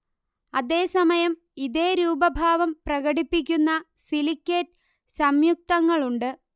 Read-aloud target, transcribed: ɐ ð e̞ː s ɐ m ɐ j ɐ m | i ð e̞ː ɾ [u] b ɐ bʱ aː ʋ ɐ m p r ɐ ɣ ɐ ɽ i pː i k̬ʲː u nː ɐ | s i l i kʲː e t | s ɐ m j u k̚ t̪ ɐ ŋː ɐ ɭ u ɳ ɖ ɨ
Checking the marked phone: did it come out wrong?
yes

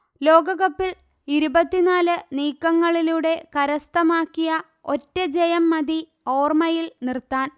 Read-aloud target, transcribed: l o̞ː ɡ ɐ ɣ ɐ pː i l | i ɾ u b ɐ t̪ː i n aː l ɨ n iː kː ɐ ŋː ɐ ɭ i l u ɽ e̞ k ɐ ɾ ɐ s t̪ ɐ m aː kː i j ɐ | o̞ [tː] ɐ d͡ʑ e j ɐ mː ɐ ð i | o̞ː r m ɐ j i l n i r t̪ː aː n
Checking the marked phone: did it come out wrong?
no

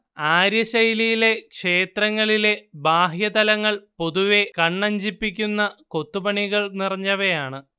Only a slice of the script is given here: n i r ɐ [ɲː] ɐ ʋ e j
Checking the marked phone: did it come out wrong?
no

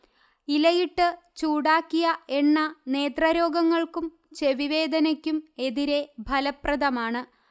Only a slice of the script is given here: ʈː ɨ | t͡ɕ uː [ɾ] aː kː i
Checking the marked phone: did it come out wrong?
yes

